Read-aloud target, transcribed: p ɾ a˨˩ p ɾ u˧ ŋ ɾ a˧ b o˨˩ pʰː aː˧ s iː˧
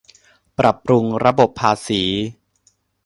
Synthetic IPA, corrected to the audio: p ɾ a˨˩ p ɾ u˧ ŋ ɾ a˧ b o˨˩ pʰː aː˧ s iː˩˦